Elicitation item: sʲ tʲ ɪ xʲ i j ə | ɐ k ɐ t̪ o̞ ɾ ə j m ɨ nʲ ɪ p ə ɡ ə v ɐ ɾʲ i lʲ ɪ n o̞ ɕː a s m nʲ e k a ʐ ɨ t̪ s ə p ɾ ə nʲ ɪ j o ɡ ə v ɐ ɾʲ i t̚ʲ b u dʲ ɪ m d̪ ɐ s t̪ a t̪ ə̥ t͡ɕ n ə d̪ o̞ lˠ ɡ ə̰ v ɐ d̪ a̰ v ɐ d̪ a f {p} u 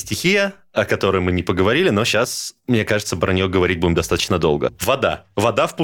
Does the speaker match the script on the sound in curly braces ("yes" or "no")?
yes